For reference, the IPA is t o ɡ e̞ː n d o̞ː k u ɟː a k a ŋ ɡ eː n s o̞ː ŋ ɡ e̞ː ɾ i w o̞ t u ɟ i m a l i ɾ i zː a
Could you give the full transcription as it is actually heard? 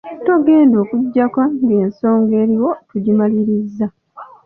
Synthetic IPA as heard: t o ɡ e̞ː n d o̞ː k u ɟː a k a ŋ ɡ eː n s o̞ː ŋ ɡ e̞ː ɾ i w o̞ t u ɟ i m a l i ɾ i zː a